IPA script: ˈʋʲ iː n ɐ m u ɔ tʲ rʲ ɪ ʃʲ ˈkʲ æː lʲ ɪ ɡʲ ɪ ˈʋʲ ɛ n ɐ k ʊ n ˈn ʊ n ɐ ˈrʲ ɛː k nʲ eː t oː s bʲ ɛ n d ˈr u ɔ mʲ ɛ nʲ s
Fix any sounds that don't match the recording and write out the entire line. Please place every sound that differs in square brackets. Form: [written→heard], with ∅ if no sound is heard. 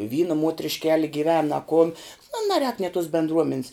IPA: ˈʋʲ iː n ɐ m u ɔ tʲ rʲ ɪ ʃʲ ˈkʲ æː lʲ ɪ ɡʲ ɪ ˈʋʲ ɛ n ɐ k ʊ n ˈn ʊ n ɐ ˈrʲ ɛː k nʲ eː t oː s bʲ ɛ n d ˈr u ɔ mʲ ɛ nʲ s